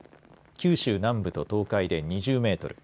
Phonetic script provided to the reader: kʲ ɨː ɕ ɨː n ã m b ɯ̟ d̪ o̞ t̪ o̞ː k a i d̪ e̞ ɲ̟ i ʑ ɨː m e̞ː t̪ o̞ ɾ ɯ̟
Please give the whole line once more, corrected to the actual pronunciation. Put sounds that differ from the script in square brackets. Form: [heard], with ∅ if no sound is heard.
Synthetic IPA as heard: kʲ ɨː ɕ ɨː n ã m b ɯ̟ [t̪] o̞ t̪ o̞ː k a i d̪ e̞ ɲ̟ i ʑ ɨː m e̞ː t̪ o̞ ɾ ɯ̟